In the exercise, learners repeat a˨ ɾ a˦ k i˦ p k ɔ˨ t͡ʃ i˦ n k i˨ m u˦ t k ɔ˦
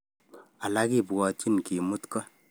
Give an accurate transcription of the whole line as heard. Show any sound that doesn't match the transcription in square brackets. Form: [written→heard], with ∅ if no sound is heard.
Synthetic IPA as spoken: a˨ [ɾ→l] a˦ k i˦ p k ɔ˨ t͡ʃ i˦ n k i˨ m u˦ t k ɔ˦